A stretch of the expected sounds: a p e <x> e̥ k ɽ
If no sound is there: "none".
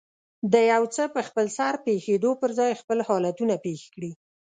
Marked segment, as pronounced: x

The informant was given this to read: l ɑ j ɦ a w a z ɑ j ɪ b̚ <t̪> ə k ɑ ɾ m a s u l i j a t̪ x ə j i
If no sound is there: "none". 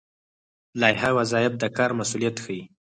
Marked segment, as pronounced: d̪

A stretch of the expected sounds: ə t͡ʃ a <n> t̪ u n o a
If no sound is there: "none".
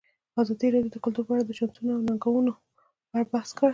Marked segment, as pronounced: n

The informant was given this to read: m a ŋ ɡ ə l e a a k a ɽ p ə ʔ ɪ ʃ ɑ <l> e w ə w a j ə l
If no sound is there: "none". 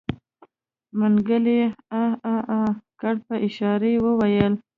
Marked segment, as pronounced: ɾ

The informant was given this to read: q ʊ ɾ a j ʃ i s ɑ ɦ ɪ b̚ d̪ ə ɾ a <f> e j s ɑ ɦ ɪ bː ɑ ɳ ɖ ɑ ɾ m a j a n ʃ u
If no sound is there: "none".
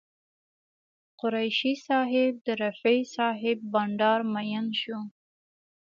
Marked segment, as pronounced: f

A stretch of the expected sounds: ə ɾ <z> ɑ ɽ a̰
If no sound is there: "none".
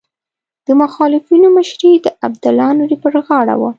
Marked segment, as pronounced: ɣ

